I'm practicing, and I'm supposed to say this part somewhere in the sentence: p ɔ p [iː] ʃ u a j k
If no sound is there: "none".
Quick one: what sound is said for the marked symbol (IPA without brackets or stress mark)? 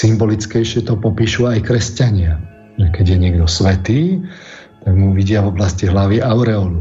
iː